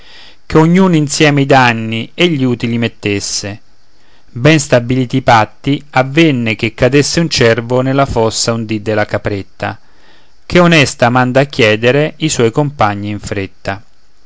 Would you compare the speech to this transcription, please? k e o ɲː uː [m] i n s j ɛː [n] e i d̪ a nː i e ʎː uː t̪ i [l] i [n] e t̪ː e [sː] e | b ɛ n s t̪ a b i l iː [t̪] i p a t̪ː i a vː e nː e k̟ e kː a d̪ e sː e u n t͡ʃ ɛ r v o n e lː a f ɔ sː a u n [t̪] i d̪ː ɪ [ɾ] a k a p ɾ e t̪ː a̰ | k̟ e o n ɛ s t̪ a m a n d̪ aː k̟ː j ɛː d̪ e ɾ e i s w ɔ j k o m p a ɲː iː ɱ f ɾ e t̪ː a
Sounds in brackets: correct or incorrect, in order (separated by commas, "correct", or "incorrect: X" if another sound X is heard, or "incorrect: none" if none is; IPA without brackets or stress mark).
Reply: incorrect: n, incorrect: m, correct, incorrect: m, correct, correct, incorrect: d̪, incorrect: l